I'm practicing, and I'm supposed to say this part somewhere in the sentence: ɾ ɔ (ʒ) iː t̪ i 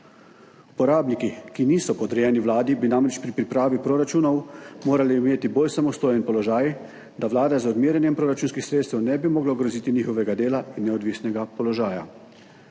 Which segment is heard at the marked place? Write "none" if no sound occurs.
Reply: z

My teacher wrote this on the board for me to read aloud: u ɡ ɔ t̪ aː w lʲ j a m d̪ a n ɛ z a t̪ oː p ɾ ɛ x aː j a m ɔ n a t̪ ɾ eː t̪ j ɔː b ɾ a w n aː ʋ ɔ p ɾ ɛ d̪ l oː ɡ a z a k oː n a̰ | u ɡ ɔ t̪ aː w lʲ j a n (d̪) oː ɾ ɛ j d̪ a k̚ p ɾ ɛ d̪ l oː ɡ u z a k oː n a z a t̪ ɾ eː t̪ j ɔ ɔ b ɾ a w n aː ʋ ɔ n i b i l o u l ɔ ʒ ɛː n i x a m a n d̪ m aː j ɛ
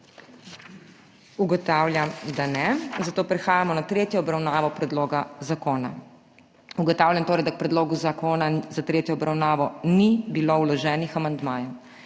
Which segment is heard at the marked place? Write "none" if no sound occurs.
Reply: t̪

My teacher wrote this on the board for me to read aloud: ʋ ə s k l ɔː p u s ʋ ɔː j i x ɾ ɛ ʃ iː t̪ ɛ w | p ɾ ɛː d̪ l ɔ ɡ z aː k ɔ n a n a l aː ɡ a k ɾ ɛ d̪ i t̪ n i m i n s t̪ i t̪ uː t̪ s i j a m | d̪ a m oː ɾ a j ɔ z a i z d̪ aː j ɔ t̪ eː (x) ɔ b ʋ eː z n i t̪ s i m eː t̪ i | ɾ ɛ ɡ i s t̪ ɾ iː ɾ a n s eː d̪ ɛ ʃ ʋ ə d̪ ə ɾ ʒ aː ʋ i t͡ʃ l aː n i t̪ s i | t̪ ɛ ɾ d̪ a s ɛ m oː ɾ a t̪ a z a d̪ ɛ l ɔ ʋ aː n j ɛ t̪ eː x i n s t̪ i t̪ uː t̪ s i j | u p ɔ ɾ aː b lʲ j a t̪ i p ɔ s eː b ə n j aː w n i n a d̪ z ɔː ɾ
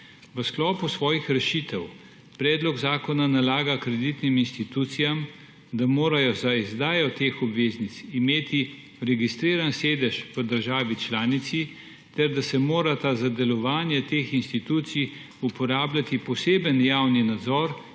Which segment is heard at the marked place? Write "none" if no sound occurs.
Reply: x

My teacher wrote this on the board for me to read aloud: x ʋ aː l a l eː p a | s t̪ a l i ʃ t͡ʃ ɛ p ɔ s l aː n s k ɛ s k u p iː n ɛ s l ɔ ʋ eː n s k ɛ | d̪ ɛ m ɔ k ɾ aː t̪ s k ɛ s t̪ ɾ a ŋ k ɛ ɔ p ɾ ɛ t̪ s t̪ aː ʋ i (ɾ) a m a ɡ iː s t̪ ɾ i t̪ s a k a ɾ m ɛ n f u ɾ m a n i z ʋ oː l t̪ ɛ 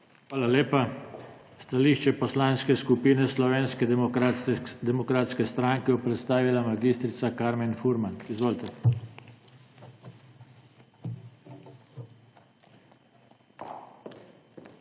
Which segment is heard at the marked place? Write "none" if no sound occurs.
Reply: l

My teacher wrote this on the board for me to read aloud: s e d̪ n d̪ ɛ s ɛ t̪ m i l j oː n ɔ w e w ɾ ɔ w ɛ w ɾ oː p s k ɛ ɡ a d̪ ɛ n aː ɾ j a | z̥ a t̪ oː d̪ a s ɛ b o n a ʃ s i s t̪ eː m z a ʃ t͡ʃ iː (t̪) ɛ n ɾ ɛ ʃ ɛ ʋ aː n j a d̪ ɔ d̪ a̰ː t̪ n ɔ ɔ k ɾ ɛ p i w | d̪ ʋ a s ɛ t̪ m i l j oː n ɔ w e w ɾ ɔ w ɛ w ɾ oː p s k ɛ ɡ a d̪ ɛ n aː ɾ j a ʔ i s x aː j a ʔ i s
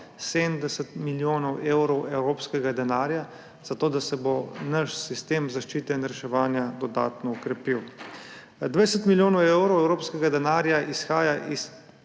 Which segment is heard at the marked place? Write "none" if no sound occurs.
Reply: t̪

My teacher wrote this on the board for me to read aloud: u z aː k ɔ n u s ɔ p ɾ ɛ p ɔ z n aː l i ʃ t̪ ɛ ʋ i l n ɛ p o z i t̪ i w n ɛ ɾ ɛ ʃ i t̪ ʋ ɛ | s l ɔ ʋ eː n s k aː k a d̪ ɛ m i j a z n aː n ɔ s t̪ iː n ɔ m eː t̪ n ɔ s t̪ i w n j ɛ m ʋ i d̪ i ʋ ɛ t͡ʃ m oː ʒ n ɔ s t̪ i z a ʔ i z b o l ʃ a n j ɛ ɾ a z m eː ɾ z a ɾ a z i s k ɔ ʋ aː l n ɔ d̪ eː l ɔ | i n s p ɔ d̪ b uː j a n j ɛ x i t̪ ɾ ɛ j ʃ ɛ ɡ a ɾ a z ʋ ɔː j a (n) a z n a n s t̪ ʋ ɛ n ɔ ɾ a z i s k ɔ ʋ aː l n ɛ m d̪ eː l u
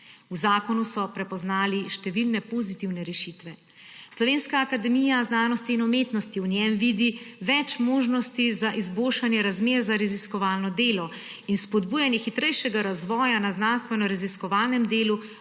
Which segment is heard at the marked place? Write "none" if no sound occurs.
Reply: n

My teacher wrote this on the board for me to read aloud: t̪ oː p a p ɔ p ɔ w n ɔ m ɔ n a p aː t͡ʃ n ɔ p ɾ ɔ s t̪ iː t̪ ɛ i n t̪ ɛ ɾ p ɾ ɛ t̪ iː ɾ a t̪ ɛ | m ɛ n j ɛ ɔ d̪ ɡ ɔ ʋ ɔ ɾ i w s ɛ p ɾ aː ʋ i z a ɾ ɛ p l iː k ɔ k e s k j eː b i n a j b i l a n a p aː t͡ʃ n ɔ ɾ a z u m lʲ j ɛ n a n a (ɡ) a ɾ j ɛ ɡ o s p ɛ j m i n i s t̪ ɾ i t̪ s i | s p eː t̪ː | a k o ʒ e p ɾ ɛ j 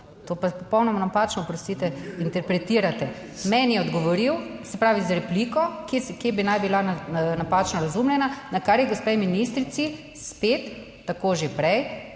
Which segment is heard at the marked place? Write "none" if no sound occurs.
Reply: k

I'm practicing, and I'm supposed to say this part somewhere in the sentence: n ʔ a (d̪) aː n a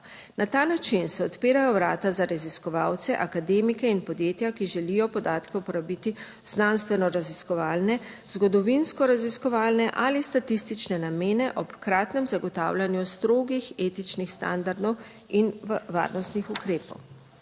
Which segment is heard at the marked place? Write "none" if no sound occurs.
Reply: t̪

